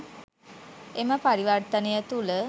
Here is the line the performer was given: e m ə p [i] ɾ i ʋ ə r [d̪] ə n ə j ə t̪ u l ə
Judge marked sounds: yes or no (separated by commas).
no, no